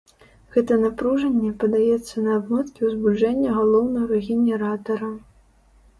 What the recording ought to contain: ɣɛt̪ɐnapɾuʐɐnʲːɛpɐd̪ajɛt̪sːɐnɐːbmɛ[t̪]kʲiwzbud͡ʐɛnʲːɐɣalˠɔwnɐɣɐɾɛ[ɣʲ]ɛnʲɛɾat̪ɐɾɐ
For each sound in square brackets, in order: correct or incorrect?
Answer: correct, correct

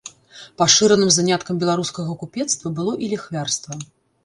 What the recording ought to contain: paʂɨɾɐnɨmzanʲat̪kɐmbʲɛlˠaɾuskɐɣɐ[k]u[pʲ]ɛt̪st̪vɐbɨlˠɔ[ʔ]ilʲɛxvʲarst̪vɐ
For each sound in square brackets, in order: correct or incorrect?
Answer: correct, correct, correct

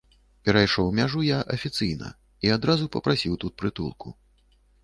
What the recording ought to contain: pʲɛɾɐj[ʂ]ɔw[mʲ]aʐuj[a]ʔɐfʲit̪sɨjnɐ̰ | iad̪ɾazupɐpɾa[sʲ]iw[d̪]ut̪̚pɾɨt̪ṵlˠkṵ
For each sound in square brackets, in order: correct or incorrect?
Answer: correct, correct, correct, correct, incorrect

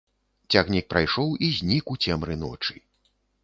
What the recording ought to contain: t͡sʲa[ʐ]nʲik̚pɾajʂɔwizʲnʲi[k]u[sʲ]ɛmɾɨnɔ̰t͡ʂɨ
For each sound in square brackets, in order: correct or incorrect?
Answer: incorrect, correct, incorrect

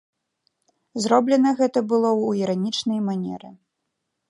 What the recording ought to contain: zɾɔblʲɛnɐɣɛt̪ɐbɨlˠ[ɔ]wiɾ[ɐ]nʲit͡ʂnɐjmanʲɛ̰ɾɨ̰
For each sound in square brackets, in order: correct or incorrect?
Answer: correct, incorrect

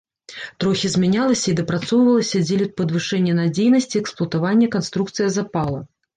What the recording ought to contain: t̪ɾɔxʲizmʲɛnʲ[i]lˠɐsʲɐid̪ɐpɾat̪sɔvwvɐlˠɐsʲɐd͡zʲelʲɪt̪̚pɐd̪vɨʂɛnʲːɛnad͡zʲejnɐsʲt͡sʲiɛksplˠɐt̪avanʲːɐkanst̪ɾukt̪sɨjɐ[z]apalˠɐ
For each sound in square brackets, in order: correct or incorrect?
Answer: incorrect, correct

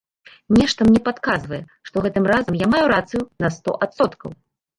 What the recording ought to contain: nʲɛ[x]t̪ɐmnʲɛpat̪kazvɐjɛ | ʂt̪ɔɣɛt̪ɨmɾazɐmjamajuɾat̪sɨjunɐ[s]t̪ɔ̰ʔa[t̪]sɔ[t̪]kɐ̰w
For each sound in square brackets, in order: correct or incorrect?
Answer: incorrect, correct, correct, correct

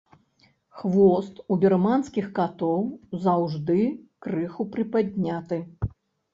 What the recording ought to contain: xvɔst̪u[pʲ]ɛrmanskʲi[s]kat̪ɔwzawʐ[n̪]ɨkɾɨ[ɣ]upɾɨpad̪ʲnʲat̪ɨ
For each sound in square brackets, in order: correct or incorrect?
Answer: incorrect, incorrect, incorrect, incorrect

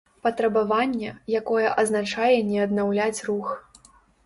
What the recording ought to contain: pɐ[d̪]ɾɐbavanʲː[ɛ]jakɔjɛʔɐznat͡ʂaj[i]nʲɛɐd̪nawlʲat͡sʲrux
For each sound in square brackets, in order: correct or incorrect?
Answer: incorrect, correct, incorrect

